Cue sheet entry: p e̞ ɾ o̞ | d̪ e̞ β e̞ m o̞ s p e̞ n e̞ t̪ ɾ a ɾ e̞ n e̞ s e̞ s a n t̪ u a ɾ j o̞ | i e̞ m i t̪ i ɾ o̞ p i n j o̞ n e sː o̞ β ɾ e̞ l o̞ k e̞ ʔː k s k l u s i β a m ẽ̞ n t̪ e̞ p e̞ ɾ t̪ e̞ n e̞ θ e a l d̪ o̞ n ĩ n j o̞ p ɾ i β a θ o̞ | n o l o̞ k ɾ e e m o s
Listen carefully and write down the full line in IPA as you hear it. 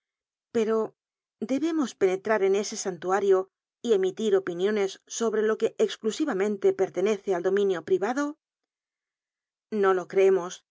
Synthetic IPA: p e̞ ɾ o̞ | d̪ e̞ β e̞ m o̞ s p e̞ n e̞ t̪ ɾ a ɾ e̞ n e̞ s e̞ s a n t̪ u a ɾ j o̞ | i e̞ m i t̪ i ɾ o̞ p i n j o̞ n e sː o̞ β ɾ e̞ l o̞ k e̞ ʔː k s k l u s i β a m ẽ̞ n t̪ e̞ p e̞ ɾ t̪ e̞ n e̞ θ e a l d̪ o̞ m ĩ n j o̞ p ɾ i β a ð o̞ | n o l o̞ k ɾ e e m o s